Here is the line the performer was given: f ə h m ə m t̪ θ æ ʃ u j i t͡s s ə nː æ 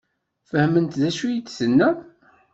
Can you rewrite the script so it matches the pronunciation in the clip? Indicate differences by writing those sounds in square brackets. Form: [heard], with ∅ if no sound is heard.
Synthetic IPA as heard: f ə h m ə [n] t̪ [ð] æ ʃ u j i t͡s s ə nː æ